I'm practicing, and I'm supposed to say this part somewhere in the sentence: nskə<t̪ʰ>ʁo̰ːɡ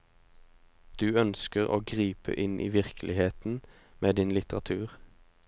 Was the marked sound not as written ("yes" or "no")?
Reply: yes